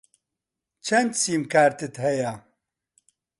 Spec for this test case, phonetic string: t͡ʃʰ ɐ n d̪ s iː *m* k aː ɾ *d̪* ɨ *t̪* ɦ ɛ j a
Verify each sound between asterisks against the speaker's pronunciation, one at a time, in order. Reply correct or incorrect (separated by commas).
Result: correct, incorrect, correct